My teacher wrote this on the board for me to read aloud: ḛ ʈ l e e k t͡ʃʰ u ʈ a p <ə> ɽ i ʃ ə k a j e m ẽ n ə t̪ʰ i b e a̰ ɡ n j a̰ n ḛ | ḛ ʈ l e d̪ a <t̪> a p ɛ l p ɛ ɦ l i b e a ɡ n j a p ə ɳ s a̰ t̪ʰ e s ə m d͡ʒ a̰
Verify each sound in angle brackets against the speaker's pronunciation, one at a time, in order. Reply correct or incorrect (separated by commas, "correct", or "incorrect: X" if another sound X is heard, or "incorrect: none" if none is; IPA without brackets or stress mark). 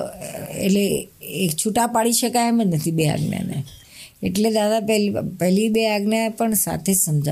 incorrect: a, incorrect: d̪